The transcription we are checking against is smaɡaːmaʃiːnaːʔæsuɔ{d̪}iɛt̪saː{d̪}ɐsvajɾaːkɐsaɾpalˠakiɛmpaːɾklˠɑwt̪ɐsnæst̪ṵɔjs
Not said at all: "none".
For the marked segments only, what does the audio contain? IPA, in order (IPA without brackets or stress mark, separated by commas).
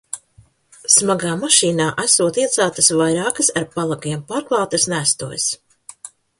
t̪, t̪